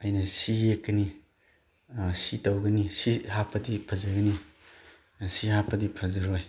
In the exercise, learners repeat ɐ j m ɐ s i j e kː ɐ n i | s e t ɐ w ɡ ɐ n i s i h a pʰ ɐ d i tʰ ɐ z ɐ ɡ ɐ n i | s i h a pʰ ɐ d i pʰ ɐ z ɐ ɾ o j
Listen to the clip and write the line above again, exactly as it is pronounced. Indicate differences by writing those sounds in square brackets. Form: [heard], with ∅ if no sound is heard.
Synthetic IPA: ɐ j [n] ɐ s i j e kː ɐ n i | s [i] t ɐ w ɡ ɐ n i s i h a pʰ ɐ d i [pʰ] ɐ z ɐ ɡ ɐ n i | s i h a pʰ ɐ d i pʰ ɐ z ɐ ɾ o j